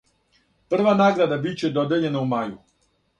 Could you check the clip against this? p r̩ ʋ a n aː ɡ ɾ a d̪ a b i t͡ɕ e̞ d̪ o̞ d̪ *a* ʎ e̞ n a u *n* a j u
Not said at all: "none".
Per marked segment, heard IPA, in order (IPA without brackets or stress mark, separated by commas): e, m